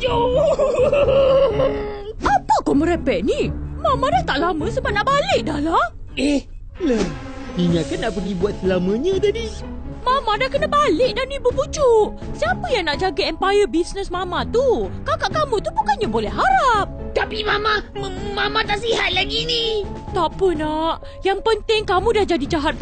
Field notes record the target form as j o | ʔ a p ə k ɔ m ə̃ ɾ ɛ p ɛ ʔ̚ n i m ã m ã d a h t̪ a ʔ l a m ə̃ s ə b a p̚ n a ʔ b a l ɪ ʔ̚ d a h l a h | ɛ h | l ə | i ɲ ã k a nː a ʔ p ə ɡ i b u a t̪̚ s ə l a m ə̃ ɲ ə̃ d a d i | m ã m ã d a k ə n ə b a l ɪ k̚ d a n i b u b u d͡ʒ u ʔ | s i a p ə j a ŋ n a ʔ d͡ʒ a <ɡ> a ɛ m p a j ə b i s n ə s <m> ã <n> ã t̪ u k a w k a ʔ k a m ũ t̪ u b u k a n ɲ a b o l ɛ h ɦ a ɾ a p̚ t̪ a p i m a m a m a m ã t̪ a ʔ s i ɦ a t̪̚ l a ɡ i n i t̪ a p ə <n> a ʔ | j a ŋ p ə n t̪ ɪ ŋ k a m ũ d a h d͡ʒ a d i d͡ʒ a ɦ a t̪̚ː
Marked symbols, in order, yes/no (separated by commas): yes, yes, no, yes